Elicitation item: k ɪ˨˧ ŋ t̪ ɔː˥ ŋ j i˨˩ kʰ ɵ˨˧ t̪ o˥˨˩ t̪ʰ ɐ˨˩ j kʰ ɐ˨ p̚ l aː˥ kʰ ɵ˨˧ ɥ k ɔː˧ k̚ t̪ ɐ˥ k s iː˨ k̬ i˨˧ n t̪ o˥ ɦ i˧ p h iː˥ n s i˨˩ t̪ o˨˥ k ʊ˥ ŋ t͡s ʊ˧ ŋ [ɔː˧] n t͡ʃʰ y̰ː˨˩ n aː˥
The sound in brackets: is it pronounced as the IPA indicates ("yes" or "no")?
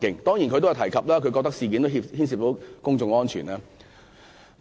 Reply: no